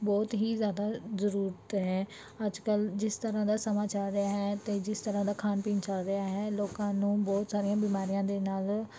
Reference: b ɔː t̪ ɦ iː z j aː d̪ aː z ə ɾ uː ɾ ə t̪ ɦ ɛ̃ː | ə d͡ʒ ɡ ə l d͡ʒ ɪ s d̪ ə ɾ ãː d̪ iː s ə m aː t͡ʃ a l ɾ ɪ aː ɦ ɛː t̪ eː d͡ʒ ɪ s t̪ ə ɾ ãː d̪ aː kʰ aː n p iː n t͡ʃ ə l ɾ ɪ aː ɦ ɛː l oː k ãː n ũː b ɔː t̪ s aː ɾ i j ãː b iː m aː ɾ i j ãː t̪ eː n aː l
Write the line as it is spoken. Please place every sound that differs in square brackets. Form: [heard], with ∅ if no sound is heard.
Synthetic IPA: b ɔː t̪ ɦ iː z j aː d̪ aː z ə ɾ uː ɾ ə t̪ ɦ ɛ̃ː | ə d͡ʒ [k] ə l d͡ʒ ɪ s [t̪] ə ɾ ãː d̪ [aː] s ə m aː t͡ʃ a l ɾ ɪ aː ɦ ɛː t̪ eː d͡ʒ ɪ s t̪ ə ɾ ãː d̪ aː kʰ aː n p iː n t͡ʃ ə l ɾ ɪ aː ɦ ɛː l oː k ãː n ũː b ɔː t̪ s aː ɾ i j ãː b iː m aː ɾ i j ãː [d̪] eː n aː l